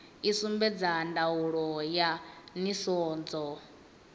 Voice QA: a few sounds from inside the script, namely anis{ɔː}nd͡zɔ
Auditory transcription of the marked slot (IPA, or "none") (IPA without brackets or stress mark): ɔː